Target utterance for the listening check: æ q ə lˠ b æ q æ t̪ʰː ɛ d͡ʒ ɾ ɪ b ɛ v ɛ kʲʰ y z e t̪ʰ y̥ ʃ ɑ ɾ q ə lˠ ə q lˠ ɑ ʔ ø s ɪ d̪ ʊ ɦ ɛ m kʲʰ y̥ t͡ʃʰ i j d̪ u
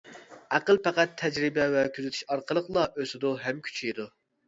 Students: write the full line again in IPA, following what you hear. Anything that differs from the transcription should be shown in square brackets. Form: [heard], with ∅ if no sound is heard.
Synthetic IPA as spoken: æ q ə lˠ [p] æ q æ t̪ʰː ɛ d͡ʒ ɾ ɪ b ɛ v ɛ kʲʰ y z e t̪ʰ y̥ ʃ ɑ ɾ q ə lˠ ə q lˠ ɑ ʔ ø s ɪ d̪ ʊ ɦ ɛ m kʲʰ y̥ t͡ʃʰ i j d̪ u